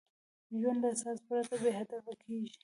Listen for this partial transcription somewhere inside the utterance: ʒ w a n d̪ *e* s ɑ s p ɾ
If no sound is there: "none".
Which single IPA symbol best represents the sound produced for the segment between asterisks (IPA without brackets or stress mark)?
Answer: a